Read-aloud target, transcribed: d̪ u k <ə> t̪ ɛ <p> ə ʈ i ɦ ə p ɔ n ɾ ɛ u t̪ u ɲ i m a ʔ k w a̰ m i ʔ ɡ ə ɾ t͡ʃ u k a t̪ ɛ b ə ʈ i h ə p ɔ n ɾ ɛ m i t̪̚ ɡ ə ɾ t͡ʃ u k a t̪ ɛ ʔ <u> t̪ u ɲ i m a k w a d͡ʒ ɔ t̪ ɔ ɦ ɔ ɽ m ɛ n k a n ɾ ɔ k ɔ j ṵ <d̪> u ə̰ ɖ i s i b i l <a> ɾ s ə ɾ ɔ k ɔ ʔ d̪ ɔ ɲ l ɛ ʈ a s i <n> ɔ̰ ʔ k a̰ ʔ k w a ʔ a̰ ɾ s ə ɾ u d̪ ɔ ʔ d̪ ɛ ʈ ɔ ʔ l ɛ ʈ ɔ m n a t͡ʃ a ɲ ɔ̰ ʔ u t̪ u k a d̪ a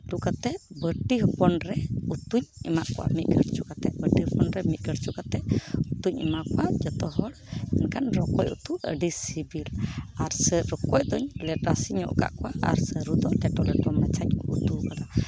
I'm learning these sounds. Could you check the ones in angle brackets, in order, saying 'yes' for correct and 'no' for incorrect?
no, no, yes, no, yes, no

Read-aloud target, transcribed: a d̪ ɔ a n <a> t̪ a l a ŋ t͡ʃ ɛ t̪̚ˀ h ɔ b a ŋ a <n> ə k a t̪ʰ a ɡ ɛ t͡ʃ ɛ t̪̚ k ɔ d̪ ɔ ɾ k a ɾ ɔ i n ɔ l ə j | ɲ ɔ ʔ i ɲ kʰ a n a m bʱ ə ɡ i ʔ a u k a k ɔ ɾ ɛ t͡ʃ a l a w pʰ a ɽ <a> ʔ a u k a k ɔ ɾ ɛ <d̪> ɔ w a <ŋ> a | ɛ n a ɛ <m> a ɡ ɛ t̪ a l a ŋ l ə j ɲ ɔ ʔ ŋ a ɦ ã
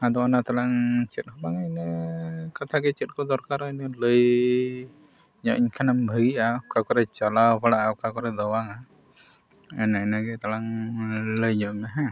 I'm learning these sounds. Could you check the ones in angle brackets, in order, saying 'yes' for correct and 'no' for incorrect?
yes, yes, yes, yes, yes, no

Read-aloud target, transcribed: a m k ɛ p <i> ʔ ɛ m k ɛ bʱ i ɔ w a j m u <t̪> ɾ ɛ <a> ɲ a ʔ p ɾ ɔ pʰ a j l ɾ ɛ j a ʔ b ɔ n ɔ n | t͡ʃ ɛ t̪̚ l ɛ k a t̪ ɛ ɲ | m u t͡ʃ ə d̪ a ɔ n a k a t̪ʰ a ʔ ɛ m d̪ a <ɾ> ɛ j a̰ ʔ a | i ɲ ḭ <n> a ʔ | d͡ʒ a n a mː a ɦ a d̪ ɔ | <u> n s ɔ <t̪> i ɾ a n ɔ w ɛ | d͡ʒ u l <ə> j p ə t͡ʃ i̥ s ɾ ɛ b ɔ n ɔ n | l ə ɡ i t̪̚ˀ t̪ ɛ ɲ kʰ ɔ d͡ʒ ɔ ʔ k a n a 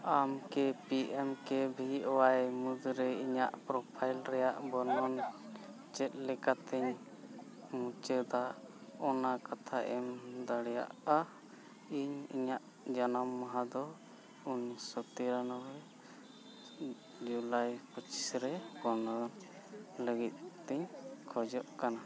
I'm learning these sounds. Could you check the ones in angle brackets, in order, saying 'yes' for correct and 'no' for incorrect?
yes, no, no, no, no, yes, yes, no

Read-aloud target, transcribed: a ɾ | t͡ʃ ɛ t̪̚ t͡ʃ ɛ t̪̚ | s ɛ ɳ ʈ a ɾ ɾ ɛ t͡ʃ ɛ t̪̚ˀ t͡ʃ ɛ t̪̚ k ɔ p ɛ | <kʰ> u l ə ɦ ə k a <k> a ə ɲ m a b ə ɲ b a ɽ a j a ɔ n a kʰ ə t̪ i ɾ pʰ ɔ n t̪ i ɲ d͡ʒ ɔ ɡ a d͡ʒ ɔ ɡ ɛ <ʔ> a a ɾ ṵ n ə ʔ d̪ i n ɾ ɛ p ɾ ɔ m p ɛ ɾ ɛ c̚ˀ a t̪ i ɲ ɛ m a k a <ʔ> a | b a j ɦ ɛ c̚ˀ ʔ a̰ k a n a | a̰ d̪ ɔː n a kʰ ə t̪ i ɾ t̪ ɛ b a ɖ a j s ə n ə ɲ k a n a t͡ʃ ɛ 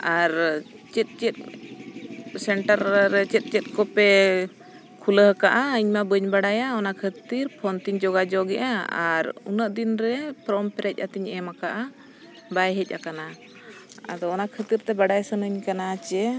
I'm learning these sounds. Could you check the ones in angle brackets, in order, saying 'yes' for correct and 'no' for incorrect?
yes, no, yes, yes

